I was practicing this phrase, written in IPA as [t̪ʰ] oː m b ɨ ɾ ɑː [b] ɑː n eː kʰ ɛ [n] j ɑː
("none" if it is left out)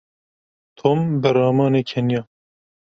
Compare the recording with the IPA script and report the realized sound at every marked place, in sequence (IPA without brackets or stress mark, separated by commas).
t̪ʰ, m, n